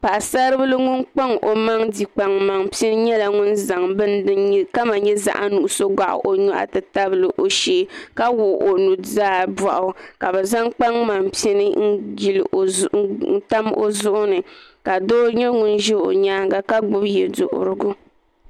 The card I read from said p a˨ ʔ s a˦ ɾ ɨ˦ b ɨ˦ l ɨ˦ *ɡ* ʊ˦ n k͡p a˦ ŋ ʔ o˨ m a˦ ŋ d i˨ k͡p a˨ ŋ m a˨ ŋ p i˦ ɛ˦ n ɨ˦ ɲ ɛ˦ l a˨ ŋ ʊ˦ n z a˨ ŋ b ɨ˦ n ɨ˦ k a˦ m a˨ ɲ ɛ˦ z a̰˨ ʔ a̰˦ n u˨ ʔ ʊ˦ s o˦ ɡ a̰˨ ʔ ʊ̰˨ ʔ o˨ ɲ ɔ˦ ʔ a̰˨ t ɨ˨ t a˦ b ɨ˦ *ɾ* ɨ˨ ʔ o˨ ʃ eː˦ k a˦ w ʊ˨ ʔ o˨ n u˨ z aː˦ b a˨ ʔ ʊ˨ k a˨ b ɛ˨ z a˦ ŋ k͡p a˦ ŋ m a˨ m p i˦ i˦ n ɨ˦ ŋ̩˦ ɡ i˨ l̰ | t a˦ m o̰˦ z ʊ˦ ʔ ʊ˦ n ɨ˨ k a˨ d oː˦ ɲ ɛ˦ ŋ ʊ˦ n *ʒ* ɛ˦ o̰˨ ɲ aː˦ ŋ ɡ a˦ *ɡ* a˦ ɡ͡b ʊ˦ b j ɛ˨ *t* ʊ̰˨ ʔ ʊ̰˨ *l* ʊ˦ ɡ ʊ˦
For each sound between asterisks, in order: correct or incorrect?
incorrect, incorrect, correct, incorrect, incorrect, incorrect

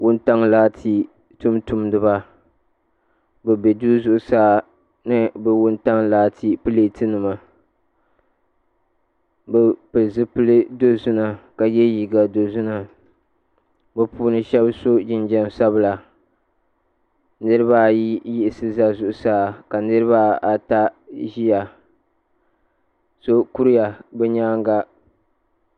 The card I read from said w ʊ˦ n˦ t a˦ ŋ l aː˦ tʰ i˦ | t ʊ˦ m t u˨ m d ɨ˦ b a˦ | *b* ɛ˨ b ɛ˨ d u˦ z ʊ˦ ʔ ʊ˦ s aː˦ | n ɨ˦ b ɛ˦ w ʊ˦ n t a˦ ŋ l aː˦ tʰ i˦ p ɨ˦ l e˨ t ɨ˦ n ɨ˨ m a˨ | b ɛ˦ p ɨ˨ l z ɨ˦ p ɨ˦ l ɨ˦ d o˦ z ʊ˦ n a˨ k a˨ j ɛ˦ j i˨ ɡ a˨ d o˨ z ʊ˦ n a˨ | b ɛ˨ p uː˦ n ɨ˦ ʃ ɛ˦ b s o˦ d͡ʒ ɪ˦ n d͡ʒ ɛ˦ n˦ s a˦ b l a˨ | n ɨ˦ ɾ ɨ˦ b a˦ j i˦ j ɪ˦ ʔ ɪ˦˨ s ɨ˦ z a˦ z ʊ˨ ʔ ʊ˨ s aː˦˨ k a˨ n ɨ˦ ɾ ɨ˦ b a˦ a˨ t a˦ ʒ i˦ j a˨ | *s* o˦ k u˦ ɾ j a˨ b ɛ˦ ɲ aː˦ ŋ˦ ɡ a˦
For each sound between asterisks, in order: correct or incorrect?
correct, correct

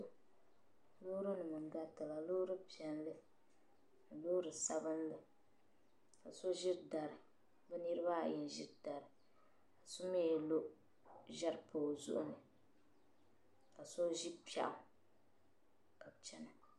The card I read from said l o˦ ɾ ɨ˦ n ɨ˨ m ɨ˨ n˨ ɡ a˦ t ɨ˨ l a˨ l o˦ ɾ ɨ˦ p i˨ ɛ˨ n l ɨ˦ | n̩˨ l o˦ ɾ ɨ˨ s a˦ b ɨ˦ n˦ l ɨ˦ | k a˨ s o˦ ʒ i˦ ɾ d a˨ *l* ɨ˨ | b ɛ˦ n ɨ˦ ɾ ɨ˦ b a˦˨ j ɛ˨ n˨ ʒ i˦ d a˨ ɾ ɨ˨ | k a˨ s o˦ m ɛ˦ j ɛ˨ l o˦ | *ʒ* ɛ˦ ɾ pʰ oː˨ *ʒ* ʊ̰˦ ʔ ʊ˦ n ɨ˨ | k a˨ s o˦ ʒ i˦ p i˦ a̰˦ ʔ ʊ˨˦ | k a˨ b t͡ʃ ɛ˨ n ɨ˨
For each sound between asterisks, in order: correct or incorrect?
incorrect, correct, incorrect

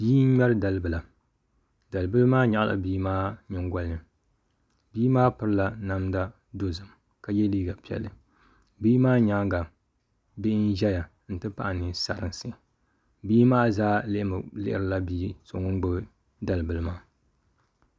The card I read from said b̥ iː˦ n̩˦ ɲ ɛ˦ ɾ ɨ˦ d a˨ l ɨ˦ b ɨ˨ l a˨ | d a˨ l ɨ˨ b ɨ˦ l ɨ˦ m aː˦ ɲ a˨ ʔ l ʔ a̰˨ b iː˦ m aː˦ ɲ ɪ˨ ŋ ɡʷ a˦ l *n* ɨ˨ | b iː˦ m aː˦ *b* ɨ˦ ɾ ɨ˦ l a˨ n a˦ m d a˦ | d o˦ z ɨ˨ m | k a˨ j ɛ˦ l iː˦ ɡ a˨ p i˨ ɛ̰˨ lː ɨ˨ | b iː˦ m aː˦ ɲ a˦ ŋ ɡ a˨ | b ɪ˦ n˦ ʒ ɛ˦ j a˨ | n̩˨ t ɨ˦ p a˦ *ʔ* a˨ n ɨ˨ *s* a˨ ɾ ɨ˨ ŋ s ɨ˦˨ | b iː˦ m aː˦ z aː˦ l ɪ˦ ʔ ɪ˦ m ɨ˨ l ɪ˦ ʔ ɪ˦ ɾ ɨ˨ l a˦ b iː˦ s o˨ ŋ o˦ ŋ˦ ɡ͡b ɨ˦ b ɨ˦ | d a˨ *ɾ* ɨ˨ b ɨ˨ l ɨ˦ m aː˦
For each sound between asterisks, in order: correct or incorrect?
correct, incorrect, correct, correct, incorrect

